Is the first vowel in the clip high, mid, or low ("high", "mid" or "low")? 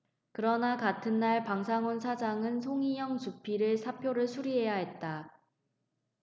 high